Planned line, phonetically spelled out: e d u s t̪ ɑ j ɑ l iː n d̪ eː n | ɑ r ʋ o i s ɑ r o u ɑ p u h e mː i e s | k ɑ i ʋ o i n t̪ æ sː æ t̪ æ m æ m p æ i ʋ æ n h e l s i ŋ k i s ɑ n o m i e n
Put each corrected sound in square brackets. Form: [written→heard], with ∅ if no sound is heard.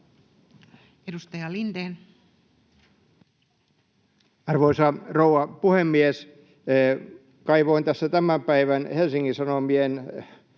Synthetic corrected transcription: e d u s t̪ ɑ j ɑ l [iː→i] n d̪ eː n | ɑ r ʋ o i s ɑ r o u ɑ p u h e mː i e s | k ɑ i ʋ o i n t̪ æ sː æ t̪ æ m æ m p æ i ʋ æ n h e l s i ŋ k i s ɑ n o m i e n